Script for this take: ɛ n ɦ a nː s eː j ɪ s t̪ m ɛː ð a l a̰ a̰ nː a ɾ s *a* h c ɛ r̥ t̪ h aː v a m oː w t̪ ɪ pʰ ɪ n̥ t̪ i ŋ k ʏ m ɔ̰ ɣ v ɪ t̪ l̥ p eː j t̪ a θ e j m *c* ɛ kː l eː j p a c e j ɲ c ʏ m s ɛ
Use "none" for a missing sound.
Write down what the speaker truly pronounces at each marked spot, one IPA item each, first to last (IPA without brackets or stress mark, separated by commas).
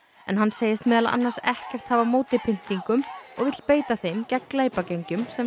ɛ, c